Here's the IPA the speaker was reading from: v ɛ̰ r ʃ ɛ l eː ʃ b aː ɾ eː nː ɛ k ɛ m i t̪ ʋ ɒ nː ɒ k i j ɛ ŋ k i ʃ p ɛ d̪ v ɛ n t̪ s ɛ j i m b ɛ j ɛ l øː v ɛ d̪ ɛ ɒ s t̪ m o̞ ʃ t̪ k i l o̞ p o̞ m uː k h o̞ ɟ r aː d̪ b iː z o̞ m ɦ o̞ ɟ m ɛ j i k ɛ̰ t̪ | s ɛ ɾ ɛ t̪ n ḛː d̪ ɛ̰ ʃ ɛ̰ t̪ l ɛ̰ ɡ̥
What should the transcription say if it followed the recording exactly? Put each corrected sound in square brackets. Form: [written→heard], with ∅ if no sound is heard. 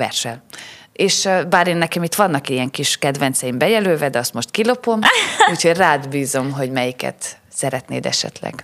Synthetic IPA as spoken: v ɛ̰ r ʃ ɛ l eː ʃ b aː ɾ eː nː ɛ k ɛ m i t̪ ʋ ɒ nː ɒ k i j ɛ ŋ k i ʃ [p→k] ɛ d̪ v ɛ n t̪ s ɛ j i m b ɛ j ɛ l øː v ɛ d̪ ɛ ɒ s t̪ m o̞ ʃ t̪ k i l o̞ p o̞ m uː [k→c] h o̞ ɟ r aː d̪ b iː z o̞ m ɦ o̞ ɟ m ɛ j i k ɛ̰ t̪ | s ɛ ɾ ɛ t̪ n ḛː d̪ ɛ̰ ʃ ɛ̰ t̪ l ɛ̰ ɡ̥